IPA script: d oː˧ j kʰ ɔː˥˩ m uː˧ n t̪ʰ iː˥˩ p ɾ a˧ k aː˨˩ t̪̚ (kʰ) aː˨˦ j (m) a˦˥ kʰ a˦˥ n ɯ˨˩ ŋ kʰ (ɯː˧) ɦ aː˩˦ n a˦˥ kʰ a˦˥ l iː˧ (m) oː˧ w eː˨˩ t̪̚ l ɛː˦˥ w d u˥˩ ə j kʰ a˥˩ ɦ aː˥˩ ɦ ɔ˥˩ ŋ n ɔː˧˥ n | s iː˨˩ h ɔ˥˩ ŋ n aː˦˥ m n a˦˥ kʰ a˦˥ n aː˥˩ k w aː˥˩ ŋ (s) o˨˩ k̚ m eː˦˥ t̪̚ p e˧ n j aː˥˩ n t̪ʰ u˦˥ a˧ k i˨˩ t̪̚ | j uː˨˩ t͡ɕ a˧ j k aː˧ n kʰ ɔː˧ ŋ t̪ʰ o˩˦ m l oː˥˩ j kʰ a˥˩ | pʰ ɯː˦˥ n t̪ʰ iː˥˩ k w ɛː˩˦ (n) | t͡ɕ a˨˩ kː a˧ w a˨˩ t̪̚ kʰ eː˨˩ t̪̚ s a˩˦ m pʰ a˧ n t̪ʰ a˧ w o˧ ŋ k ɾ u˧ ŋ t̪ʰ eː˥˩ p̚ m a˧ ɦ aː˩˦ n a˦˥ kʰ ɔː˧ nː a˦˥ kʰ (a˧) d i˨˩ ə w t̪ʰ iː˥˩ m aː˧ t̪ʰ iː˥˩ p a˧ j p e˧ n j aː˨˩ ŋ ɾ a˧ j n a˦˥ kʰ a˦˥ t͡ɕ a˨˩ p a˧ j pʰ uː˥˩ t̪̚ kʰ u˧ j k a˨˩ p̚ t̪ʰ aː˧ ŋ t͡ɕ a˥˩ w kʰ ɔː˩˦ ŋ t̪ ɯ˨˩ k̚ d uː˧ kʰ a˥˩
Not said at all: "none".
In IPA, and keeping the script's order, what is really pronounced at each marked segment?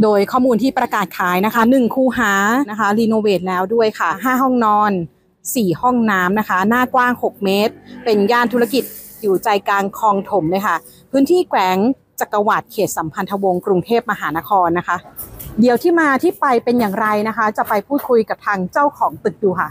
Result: kʰ, n, uː˧, n, h, ŋ, a˦˥

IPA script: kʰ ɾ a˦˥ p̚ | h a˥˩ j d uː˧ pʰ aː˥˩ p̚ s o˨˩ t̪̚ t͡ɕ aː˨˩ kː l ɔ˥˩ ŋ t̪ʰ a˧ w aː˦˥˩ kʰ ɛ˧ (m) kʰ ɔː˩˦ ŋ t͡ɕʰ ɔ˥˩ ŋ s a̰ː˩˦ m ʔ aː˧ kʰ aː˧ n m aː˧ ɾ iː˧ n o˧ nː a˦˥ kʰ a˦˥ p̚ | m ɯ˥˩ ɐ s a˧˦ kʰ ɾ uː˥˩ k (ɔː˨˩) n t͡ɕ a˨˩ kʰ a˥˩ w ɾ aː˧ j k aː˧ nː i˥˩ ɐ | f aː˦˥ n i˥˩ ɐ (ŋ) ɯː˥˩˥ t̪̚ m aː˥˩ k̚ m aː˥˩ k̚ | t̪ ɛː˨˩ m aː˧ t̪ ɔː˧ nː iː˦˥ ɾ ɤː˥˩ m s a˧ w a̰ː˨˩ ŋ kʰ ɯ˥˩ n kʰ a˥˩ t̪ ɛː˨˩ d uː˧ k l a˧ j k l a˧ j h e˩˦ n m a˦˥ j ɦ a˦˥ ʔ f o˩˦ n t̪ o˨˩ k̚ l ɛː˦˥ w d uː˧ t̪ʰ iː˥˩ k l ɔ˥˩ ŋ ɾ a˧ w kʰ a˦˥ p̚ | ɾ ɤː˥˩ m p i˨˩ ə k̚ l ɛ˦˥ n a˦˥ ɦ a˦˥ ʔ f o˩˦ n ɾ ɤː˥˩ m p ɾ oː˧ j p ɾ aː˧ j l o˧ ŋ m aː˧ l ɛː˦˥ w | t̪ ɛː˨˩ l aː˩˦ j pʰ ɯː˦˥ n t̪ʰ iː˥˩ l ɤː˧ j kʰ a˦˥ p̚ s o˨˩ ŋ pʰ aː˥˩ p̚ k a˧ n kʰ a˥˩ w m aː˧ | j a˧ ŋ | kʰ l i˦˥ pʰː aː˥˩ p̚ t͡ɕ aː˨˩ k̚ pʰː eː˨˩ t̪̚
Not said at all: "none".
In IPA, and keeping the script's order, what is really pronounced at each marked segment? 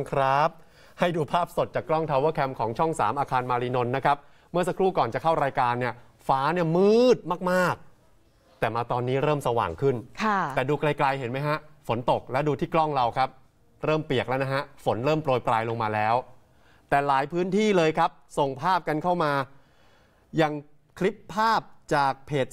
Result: m, ɔː˨˩, m

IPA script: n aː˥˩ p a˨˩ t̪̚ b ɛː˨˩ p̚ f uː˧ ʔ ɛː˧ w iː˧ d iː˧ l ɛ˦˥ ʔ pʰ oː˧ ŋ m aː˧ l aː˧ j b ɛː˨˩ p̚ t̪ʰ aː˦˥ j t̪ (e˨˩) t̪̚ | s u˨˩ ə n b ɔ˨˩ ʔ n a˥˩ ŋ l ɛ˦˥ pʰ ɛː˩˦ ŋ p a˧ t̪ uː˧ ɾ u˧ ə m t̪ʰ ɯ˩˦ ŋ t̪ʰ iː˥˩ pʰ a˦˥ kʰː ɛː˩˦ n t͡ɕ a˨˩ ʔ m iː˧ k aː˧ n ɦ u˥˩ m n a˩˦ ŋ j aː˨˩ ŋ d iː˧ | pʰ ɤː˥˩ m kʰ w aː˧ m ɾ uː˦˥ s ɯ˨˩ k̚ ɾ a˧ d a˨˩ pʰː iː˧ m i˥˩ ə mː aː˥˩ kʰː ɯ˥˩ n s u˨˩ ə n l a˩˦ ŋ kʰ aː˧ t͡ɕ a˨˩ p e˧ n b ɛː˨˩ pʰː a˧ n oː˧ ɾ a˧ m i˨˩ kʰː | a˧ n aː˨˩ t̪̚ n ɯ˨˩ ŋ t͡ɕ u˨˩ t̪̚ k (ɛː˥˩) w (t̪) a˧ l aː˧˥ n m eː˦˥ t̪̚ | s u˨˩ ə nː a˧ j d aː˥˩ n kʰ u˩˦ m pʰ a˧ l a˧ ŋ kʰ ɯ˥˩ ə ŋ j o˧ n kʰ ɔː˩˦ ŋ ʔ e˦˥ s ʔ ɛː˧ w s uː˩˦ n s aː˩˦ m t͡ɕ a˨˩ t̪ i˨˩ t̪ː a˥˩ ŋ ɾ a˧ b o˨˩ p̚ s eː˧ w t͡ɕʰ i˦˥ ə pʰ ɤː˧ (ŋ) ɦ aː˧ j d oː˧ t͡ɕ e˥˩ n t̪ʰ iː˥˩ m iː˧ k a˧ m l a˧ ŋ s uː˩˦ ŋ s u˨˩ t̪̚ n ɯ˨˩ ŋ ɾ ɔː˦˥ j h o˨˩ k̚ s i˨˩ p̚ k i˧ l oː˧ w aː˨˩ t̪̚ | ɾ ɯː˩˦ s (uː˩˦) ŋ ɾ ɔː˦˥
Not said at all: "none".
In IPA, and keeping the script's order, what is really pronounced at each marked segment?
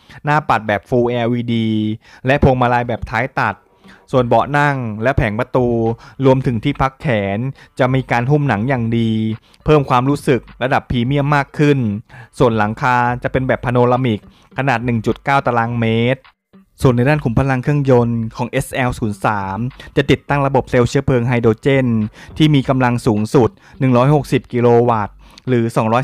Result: a˨˩, aː˥˩, t̪, ŋ, ɔː˩˦

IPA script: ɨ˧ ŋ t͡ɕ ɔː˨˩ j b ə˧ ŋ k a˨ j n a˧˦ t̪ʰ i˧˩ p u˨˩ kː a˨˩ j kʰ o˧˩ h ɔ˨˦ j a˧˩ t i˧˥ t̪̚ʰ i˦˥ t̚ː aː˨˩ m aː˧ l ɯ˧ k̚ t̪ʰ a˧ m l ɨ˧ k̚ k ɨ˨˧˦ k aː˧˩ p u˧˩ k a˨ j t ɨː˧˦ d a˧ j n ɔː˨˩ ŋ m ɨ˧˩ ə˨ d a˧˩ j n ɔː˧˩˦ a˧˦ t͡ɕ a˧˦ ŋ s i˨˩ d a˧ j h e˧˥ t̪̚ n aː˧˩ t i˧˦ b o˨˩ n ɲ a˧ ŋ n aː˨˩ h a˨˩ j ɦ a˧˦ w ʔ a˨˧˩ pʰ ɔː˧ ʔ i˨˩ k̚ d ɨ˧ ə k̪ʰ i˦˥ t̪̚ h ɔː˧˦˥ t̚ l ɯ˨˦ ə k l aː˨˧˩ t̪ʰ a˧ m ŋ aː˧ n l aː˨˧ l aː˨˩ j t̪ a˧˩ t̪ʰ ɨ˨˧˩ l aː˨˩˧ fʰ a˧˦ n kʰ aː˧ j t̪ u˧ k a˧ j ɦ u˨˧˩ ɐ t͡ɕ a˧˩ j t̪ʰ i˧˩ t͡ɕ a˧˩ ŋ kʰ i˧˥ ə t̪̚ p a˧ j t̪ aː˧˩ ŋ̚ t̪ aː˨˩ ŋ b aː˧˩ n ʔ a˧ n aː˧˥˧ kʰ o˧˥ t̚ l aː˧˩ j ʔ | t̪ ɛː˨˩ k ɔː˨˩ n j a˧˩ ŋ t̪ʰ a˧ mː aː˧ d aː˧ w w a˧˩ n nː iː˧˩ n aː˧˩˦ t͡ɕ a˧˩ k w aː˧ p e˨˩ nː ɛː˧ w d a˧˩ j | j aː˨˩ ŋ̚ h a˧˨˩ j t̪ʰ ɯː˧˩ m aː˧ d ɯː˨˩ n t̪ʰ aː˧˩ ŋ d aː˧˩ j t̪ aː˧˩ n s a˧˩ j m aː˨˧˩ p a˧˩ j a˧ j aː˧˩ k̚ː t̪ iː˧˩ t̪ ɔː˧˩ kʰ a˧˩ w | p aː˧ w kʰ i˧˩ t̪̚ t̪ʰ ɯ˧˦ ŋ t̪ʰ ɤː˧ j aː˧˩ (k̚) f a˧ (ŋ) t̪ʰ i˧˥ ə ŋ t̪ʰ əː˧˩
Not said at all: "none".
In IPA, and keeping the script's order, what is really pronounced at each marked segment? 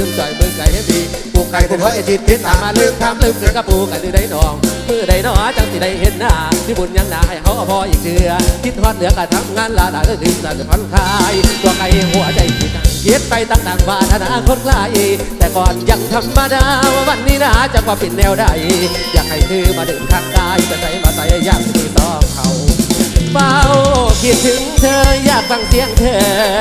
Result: k̚, ŋ

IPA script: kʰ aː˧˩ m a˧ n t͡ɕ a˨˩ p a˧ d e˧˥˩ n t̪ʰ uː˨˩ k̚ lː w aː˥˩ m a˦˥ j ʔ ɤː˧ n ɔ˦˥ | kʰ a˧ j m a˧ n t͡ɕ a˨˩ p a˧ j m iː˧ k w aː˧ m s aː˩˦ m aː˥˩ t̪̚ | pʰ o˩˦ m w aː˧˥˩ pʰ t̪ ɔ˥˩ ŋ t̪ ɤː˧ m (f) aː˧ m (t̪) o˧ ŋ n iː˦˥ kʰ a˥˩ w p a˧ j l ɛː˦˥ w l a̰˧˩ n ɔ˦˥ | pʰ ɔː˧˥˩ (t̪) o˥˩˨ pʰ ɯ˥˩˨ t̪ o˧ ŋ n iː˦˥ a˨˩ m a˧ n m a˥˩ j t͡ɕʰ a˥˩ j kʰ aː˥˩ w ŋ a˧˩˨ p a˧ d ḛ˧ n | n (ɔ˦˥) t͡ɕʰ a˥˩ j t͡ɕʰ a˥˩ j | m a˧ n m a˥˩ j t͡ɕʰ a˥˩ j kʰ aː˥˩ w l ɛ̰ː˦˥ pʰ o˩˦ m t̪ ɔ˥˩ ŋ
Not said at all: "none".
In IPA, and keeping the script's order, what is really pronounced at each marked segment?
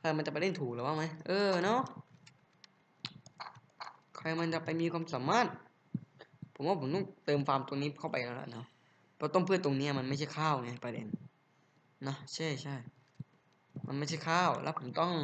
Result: f, t̪, t̪, ɔ˦˥

